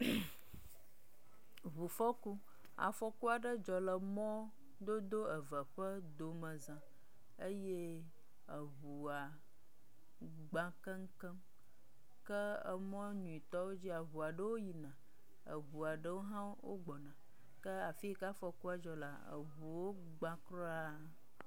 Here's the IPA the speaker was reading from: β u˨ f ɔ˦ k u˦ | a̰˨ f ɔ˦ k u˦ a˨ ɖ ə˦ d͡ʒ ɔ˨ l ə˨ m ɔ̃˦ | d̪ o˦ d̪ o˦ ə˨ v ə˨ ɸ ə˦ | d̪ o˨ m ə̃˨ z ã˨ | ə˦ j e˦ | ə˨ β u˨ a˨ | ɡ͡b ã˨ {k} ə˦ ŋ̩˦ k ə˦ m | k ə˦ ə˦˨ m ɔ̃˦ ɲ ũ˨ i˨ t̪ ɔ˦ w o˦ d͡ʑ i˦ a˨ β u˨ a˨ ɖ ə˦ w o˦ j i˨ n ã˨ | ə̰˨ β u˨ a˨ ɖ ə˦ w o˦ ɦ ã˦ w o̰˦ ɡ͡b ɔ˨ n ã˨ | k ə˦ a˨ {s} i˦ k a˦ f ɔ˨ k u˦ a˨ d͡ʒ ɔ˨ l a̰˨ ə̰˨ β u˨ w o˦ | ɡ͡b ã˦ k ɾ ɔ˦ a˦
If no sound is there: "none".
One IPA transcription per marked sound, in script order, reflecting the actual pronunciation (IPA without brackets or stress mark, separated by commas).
k, f